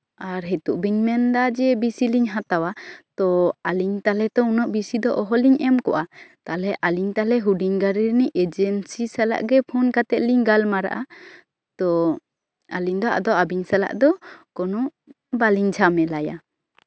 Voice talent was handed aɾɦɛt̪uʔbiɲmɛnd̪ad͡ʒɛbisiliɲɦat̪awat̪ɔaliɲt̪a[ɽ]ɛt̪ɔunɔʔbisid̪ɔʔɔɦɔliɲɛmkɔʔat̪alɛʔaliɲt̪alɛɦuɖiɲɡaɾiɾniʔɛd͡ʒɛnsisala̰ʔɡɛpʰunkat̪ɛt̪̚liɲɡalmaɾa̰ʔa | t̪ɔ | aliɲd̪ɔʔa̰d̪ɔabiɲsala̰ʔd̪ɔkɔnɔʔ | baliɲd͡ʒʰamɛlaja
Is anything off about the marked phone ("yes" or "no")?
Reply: yes